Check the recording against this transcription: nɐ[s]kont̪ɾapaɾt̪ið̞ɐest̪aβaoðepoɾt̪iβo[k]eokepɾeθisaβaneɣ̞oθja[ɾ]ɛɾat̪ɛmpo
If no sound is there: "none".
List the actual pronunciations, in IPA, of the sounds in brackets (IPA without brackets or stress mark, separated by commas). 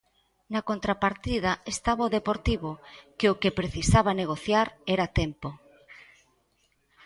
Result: none, k, ɾ